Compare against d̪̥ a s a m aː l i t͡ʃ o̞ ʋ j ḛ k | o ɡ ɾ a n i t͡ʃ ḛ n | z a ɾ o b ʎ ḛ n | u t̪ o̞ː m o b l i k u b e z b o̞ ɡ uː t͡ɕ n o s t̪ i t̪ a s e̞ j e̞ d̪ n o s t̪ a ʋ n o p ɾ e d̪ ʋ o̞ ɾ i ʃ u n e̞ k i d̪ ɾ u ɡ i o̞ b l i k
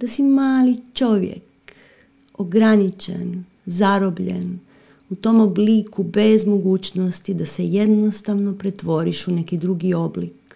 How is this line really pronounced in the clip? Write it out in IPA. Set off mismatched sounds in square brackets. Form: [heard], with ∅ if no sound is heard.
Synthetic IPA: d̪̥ a s [i] m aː l i t͡ʃ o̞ ʋ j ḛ k | o ɡ ɾ a n i t͡ʃ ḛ n | z a ɾ o b ʎ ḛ n | u t̪ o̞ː m o b l i k u b e z [m] o̞ ɡ uː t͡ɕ n o s t̪ i [d̪] a s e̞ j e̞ d̪ n o s t̪ a ʋ n o p ɾ e [t̪] ʋ o̞ ɾ i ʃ u n e̞ k i d̪ ɾ u ɡ i o̞ b l i k